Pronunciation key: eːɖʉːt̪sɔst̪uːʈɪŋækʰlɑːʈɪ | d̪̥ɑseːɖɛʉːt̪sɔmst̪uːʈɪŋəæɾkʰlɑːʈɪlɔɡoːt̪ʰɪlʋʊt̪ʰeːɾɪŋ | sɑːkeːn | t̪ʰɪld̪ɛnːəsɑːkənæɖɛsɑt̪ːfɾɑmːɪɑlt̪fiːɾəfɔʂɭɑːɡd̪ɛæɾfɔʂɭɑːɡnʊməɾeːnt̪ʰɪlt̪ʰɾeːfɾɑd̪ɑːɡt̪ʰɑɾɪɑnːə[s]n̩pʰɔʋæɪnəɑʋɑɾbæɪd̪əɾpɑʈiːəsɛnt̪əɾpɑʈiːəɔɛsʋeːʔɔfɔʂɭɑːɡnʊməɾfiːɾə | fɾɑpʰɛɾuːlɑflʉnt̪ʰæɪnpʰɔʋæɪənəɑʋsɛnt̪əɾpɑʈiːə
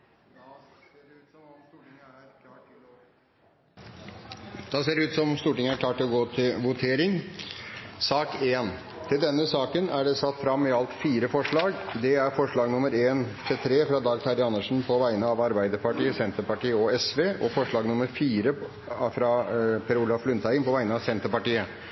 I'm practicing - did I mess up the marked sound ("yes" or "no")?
yes